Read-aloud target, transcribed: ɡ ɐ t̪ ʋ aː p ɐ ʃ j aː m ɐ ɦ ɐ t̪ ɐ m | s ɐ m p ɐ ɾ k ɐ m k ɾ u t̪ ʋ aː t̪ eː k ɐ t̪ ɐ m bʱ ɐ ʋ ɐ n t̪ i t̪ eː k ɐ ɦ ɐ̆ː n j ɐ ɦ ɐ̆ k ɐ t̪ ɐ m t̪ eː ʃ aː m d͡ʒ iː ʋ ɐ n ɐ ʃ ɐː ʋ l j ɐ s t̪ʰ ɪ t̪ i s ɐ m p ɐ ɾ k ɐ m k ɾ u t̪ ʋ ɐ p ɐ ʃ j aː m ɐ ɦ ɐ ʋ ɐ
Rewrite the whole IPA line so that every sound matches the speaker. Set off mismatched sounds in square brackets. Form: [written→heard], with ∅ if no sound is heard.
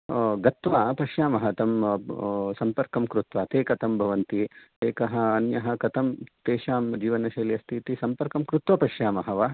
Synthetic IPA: ɡ ɐ t̪ ʋ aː p ɐ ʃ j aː m ɐ ɦ ɐ t̪ ɐ m | s ɐ m p ɐ ɾ k ɐ m k ɾ u t̪ ʋ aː t̪ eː k ɐ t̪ ɐ m bʱ ɐ ʋ ɐ n t̪ i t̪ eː k ɐ ɦ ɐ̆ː n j ɐ ɦ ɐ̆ k ɐ t̪ ɐ m t̪ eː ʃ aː m d͡ʒ iː ʋ ɐ n ɐ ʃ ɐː [ʋ→∅] l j ɐ s t̪ʰ [ɪ→i] t̪ i s ɐ m p ɐ ɾ k ɐ m k ɾ u t̪ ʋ ɐ p ɐ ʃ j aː m ɐ ɦ ɐ ʋ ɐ